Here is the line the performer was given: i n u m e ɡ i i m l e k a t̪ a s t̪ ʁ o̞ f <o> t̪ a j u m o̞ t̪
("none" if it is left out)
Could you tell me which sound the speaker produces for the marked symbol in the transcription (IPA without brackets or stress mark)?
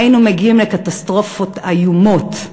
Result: o